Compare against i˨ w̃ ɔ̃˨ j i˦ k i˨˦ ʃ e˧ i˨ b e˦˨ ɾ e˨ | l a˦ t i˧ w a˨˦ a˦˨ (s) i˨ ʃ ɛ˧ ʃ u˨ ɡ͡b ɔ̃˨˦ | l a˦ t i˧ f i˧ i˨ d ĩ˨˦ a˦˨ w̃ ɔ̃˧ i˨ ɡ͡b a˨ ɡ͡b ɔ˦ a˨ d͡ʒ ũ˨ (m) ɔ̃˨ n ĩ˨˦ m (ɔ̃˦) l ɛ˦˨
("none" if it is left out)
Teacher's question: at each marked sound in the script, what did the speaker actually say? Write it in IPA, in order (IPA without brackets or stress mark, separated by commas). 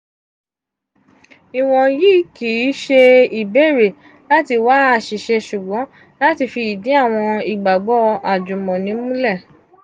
ʃ, m, ũ˦